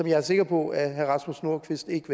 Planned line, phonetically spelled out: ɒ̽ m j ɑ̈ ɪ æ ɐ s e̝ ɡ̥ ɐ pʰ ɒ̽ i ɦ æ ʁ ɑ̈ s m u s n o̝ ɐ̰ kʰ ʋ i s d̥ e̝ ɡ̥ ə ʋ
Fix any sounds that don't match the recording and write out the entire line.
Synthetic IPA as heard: ɒ̽ m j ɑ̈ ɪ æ ɐ s e̝ ɡ̥ ɐ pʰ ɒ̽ æ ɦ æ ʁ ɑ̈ s m u s n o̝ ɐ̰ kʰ ʋ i s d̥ e̝ ɡ̥ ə ʋ